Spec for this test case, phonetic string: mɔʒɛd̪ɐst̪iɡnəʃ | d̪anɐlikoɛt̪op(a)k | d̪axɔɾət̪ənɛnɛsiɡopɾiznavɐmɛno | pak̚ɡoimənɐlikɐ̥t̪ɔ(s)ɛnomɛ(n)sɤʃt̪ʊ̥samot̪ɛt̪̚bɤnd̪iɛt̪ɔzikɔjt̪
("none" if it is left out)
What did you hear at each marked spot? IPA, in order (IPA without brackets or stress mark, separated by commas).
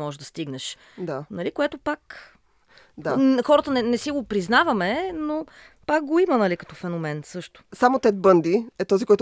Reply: a, f, n